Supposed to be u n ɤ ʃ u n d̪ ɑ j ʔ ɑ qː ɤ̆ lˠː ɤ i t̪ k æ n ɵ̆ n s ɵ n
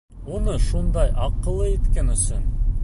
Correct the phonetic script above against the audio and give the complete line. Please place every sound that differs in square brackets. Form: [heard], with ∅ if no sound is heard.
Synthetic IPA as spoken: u n ɤ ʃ u n d̪ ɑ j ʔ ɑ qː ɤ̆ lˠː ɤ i t̪ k æ n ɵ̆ [∅] s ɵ n